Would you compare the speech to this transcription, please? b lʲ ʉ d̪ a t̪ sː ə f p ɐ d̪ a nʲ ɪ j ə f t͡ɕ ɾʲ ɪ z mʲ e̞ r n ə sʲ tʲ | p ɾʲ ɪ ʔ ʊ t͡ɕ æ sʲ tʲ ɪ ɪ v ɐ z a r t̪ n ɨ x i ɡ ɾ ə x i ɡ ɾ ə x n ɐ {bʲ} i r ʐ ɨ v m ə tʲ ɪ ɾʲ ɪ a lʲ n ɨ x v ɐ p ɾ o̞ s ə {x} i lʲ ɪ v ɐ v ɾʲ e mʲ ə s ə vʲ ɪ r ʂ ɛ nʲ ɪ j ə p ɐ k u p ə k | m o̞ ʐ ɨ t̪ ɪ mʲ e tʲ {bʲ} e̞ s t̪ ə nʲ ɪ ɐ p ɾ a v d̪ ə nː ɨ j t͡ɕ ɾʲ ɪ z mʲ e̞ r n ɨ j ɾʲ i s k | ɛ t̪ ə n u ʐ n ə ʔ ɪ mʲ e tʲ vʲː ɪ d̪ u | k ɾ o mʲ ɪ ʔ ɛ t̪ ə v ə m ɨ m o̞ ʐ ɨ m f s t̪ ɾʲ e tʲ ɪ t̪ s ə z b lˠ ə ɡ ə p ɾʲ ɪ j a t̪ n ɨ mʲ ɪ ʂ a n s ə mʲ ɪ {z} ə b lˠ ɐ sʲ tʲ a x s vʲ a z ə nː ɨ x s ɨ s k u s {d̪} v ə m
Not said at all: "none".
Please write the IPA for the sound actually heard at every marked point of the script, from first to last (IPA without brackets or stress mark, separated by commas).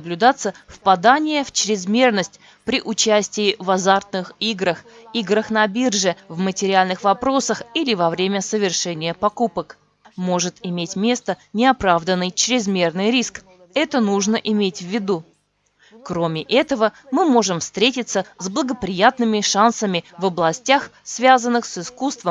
bʲ, x, mʲ, v, t̪